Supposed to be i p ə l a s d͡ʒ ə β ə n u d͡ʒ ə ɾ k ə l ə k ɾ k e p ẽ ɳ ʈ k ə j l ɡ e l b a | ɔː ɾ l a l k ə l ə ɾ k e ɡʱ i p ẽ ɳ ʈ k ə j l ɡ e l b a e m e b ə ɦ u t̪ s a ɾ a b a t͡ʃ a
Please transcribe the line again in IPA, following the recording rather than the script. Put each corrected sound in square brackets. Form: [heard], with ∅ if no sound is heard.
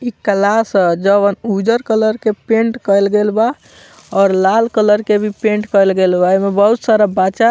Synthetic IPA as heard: i [k] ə l a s d͡ʒ ə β ə n u d͡ʒ ə ɾ k ə l ə [∅] ɾ k e p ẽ ɳ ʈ k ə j l ɡ e l b a | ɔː ɾ l a l k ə l ə ɾ k e [bʱ] i p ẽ ɳ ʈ k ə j l ɡ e l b a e m e b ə ɦ u t̪ s a ɾ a b a t͡ʃ a